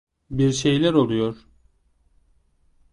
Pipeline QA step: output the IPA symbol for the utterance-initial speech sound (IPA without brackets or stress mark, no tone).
b